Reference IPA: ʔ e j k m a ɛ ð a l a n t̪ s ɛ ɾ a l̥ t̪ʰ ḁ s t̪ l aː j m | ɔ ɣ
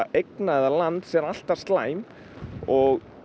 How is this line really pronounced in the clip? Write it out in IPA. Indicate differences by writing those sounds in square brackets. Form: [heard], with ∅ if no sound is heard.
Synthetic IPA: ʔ e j k [n] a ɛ ð a l a n t̪ s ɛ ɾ a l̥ [t̪] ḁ s t̪ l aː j m | ɔ ɣ